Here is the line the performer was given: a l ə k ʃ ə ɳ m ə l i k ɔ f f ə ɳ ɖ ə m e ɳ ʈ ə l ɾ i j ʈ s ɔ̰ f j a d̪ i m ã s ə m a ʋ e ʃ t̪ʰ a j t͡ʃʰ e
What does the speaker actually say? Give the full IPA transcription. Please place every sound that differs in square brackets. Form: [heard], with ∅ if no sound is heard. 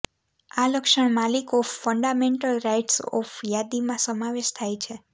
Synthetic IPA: a l ə k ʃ ə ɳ m [a] l i k ɔ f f ə ɳ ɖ [a] m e ɳ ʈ ə l ɾ [a] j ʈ s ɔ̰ f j a d̪ i m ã s ə m a ʋ e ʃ t̪ʰ a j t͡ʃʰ e